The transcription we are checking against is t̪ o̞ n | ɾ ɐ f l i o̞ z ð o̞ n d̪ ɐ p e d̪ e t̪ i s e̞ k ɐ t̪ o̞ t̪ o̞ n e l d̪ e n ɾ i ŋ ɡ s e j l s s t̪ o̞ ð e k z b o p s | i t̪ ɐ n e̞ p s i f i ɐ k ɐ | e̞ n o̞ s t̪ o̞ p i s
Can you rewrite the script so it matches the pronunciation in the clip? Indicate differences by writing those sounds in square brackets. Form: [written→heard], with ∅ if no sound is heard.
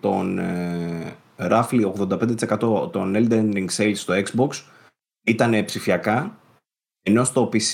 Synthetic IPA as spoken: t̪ o̞ n | ɾ ɐ f l i o̞ [z→ɣ] ð o̞ n d̪ ɐ p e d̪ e t̪ i s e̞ k ɐ t̪ o̞ t̪ o̞ n e l d̪ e n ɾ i ŋ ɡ s e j l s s t̪ o̞ [ð→∅] e k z b o [p→k] s | i t̪ ɐ n e̞ p s i f i ɐ k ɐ | e̞ n o̞ s t̪ o̞ p i s